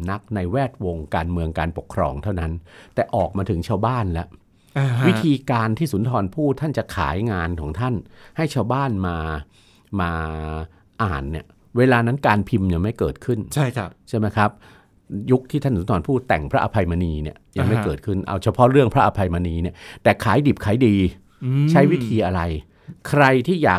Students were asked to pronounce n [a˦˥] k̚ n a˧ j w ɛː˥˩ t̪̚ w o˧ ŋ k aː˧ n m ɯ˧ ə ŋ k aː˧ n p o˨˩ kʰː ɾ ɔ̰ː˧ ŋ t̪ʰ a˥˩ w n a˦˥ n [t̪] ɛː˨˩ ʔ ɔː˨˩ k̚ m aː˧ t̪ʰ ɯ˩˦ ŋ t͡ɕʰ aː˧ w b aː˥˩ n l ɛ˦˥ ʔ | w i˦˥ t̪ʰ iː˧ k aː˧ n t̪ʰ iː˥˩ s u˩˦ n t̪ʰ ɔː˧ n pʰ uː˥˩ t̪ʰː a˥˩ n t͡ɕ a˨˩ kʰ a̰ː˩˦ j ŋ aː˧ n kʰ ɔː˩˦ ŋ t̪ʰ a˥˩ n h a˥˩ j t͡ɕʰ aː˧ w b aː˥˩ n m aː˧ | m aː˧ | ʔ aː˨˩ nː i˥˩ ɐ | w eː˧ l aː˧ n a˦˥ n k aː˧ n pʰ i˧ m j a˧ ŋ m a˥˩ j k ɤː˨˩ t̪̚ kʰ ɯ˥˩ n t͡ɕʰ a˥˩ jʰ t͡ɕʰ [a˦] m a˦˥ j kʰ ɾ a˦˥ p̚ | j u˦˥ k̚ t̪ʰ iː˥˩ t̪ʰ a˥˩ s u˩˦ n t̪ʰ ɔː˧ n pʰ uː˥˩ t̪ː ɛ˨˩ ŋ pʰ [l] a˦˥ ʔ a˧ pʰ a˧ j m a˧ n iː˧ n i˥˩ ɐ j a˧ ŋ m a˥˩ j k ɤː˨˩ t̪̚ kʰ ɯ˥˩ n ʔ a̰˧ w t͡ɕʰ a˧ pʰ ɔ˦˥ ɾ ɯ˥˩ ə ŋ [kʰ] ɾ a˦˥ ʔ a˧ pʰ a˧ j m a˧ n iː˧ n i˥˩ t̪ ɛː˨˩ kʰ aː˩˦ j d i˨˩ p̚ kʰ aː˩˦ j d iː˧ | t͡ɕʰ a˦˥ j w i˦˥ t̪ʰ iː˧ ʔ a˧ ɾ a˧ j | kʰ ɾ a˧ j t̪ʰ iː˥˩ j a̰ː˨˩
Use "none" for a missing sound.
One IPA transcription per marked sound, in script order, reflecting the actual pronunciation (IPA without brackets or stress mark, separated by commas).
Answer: a˦˥, t̪, a˥˩, ɾ, pʰ